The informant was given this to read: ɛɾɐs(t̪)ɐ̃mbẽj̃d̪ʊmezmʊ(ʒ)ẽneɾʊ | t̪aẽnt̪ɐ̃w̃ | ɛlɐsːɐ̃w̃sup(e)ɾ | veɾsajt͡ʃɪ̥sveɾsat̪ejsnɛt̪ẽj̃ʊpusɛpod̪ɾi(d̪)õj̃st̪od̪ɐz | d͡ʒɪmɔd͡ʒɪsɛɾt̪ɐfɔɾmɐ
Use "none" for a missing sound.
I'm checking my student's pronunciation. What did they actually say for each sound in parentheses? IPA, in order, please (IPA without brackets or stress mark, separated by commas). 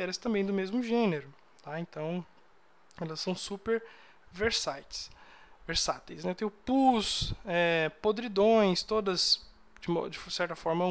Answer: t̪, ʒ, e, d̪